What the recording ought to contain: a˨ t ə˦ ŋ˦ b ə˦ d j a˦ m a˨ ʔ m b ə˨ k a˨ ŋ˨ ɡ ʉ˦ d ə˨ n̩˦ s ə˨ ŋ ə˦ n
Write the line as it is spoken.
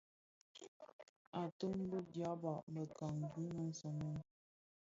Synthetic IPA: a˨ t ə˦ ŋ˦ b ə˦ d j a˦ b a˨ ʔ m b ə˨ k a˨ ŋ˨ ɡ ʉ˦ n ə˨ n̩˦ s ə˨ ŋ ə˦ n